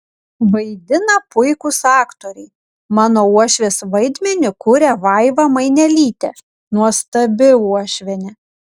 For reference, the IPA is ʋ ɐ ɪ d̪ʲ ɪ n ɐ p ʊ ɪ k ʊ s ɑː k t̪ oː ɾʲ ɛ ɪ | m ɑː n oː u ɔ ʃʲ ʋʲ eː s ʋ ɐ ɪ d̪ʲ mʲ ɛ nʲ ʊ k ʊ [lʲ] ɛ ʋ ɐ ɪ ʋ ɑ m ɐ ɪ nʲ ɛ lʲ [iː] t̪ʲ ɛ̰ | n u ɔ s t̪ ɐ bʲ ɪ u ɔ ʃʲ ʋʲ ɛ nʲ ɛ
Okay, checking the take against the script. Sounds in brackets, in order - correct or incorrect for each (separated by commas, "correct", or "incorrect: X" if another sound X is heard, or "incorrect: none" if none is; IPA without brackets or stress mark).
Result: incorrect: ɾʲ, correct